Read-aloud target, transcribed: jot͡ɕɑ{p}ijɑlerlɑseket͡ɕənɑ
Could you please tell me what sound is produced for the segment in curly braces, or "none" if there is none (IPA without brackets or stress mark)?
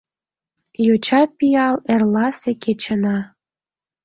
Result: p